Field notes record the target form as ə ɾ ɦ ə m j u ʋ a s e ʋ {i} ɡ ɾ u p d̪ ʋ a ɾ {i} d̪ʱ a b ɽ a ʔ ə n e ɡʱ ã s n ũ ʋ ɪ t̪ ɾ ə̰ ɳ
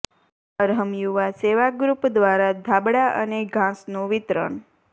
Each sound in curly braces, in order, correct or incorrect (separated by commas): incorrect, incorrect